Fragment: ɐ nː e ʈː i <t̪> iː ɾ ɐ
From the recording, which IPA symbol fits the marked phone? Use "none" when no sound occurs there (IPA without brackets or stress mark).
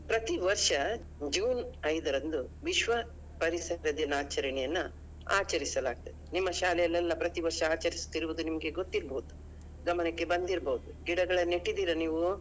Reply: d̪